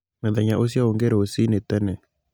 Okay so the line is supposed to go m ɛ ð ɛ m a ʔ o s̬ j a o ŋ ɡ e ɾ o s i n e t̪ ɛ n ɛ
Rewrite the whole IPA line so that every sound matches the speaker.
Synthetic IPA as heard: m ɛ ð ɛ ɲ a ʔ o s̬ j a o ŋ ɡ e ɾ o s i n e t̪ ɛ n ɛ

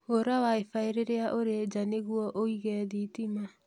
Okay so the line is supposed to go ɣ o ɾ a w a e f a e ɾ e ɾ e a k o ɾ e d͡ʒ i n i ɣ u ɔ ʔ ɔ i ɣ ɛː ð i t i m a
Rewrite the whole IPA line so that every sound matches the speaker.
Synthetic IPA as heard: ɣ o ɾ a w a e f a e ɾ e ɾ e a ʔ o ɾ e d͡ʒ a n e ɣ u ɔ ʔ o i ɣ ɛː ð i t i m a

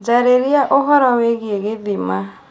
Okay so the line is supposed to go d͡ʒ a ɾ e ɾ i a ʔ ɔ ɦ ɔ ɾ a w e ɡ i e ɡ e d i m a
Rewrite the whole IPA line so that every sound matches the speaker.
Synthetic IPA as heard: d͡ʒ a ɾ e ɾ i a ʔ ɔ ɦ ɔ ɾ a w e ɡ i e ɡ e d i m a

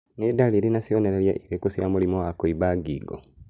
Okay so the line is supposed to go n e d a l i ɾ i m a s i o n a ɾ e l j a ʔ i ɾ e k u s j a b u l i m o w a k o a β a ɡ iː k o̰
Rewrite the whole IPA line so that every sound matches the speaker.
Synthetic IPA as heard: n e d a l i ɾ i n a s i o n e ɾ e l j a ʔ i ɾ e k u s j a m u l i m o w a k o i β a ɡ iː ɡ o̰

